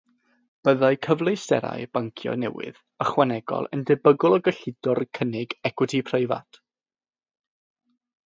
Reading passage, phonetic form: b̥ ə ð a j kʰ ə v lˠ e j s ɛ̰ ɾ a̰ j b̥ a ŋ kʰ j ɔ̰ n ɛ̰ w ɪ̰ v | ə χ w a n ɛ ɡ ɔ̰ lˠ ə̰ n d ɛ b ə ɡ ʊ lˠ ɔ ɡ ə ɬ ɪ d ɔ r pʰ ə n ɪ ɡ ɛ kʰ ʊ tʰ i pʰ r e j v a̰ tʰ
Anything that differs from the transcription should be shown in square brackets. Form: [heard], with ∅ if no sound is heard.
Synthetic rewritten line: b̥ ə ð a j kʰ ə v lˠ e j s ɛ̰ ɾ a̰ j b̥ a ŋ kʰ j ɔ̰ n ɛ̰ w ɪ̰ [ð] | ə χ w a n ɛ ɡ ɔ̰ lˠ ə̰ n d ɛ b ə ɡ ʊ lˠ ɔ ɡ ə ɬ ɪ d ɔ r [kʰ] ə n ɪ ɡ ɛ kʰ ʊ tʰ i pʰ r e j v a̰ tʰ